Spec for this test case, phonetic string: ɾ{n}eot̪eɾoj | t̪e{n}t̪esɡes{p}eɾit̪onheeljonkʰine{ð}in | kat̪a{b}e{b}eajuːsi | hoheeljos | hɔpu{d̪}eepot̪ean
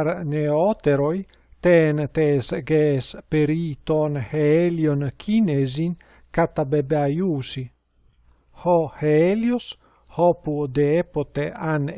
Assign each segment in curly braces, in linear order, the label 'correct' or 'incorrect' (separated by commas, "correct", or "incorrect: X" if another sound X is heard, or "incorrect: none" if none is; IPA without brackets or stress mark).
correct, correct, correct, incorrect: z, correct, correct, correct